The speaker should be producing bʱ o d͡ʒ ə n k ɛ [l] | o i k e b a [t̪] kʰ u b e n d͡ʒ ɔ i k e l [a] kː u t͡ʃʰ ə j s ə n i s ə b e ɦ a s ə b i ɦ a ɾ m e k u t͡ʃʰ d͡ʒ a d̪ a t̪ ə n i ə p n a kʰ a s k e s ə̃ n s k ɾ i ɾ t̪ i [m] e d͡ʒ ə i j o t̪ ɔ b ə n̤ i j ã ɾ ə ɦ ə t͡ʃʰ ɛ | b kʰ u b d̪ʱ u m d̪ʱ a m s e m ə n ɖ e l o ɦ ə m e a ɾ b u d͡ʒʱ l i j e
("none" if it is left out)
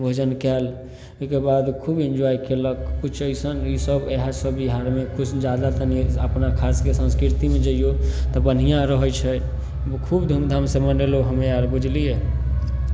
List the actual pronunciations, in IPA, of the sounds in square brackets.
l, d̪, ə, m

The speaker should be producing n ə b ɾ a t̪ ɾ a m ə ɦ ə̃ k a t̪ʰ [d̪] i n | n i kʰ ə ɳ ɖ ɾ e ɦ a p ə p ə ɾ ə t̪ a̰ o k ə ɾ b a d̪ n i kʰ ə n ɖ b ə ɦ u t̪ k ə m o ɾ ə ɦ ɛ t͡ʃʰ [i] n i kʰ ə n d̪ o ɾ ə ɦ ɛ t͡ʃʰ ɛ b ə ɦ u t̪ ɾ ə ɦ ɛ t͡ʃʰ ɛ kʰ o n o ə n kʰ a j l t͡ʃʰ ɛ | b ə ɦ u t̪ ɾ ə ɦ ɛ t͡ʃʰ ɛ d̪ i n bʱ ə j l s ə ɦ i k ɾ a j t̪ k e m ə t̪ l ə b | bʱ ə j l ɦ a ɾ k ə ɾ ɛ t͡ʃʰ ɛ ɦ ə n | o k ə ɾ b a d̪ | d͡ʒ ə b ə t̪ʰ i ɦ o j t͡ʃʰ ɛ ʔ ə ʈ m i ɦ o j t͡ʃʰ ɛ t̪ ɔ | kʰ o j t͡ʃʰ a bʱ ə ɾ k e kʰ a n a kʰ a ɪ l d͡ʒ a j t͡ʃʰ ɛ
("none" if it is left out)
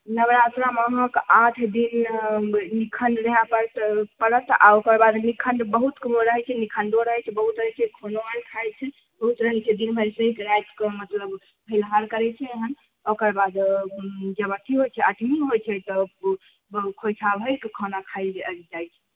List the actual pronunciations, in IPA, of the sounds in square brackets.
d̪, ɛ

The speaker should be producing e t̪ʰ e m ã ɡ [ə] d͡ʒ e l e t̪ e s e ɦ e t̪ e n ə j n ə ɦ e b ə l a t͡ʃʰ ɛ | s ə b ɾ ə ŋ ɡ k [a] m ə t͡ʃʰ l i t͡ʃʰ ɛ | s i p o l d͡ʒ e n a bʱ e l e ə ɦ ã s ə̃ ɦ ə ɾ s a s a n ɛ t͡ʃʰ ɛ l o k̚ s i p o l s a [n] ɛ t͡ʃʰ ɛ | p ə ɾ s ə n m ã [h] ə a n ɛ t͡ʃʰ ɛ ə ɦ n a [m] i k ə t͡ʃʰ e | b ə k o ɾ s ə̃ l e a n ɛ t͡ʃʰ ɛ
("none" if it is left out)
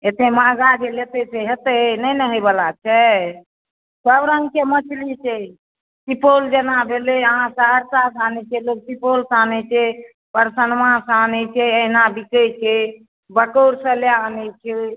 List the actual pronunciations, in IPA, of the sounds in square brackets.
a, e, n, s, b

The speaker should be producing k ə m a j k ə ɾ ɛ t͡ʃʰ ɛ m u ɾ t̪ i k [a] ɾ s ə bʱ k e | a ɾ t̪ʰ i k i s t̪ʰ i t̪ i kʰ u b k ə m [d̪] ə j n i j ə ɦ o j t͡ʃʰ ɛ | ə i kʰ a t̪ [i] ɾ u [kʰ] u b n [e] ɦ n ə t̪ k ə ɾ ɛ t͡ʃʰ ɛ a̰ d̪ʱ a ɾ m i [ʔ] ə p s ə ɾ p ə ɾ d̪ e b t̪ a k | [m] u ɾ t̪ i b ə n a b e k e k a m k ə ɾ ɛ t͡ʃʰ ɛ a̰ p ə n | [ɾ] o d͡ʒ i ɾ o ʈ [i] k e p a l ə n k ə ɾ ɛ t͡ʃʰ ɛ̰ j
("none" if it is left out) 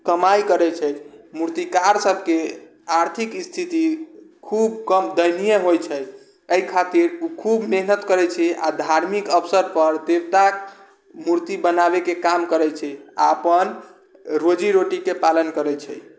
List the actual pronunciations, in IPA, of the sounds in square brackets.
a, d̪, i, kʰ, e, k, m, ɾ, i

